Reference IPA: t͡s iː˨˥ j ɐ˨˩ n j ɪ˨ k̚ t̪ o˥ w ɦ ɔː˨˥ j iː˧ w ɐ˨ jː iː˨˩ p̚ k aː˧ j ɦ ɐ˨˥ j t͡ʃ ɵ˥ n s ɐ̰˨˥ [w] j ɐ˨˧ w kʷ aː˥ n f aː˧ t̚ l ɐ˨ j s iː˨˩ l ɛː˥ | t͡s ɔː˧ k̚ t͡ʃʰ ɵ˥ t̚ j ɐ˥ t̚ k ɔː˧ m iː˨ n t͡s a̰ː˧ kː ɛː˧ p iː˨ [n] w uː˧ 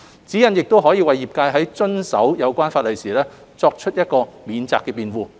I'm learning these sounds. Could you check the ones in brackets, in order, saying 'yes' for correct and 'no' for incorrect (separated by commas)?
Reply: yes, yes